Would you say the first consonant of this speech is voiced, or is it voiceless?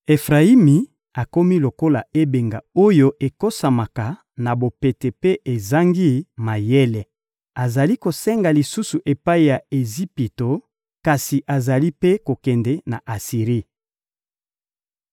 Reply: voiceless